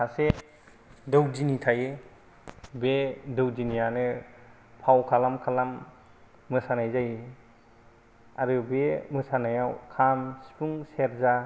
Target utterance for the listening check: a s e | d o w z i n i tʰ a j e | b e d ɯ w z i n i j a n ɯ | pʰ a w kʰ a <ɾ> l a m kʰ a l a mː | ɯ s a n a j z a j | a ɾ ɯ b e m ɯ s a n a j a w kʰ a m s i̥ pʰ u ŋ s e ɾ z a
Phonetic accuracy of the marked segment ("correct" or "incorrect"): incorrect